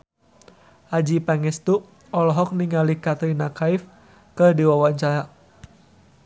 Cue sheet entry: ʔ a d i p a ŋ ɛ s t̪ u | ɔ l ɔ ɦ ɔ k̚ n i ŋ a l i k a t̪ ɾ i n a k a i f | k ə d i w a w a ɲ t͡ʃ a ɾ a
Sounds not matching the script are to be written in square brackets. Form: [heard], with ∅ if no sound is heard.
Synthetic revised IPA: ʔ a [d͡ʒ] i p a ŋ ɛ s t̪ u | ɔ l ɔ ɦ ɔ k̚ n i ŋ a l i k a t̪ ɾ i n a k a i f | k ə d i w a w a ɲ t͡ʃ a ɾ a